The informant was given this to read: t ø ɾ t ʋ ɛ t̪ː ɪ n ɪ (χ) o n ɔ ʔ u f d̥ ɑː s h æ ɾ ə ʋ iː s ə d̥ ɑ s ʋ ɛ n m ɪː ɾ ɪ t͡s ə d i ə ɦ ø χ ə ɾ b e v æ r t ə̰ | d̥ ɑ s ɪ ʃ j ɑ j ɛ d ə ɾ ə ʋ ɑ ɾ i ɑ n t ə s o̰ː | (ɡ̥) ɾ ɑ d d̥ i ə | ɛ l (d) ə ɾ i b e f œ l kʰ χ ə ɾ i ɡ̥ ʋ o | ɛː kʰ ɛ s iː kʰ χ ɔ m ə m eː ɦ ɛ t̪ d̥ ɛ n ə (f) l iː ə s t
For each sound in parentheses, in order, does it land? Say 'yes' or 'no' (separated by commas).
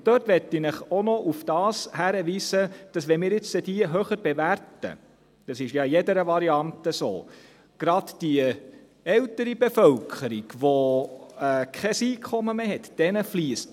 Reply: yes, yes, no, yes